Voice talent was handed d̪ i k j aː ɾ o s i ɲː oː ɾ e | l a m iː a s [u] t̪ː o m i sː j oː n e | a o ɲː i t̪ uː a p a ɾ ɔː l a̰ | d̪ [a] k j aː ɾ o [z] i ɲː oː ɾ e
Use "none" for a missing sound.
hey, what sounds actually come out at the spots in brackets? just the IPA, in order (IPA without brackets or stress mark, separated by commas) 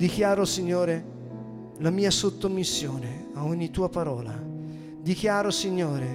o, i, s